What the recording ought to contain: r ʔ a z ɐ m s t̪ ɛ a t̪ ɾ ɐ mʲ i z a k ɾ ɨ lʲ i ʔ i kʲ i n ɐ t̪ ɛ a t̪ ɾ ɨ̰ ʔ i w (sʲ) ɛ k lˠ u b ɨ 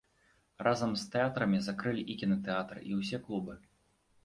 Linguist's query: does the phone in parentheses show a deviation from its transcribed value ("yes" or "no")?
no